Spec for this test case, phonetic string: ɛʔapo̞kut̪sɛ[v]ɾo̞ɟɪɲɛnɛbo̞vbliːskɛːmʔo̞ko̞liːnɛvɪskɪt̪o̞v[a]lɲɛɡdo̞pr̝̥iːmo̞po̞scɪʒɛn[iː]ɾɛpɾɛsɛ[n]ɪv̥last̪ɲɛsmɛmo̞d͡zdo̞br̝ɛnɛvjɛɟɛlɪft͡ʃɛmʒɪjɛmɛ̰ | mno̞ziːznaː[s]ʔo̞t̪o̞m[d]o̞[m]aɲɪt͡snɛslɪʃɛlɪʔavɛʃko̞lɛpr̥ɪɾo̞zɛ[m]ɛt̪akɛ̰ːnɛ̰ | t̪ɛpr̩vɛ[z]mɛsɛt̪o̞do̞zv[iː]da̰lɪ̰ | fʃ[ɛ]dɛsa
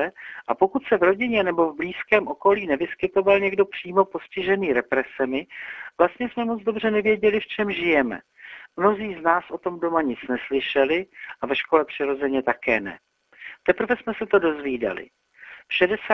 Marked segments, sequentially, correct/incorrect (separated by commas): correct, correct, correct, incorrect, correct, correct, correct, incorrect, incorrect, correct, correct